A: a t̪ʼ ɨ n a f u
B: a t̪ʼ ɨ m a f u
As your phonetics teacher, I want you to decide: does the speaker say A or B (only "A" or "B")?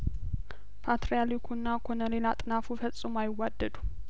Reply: A